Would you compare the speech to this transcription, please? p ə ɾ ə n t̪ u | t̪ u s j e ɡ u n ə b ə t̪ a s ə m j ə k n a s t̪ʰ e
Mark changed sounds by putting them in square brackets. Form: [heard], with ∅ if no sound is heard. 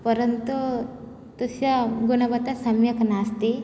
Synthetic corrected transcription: p ə ɾ ə n t̪ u | t̪ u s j [a] ɡ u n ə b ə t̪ a s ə m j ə k n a s [t̪] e